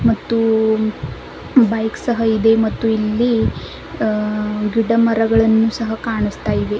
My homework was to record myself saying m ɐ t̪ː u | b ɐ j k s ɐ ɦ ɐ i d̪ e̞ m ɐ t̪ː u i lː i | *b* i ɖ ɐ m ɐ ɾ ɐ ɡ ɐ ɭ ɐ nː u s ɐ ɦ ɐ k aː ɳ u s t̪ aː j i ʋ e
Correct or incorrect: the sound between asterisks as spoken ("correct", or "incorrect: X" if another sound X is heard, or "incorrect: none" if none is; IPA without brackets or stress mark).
incorrect: ɡ